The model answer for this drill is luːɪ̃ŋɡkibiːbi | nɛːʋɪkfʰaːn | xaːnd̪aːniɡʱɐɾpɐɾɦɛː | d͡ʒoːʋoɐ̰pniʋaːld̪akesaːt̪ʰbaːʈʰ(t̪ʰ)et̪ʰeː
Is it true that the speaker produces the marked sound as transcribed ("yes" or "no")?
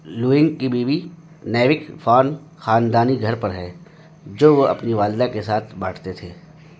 no